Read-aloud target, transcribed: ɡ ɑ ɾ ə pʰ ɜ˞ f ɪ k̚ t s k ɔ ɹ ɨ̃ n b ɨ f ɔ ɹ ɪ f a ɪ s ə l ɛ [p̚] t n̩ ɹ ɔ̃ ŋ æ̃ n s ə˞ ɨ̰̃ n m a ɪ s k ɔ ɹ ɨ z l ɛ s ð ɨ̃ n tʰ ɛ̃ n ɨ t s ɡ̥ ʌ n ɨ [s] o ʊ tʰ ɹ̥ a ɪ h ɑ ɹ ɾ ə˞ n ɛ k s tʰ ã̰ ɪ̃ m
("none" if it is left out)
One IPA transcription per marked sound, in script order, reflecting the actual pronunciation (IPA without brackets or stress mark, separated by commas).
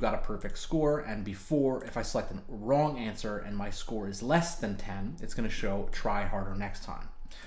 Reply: k̚, ʃ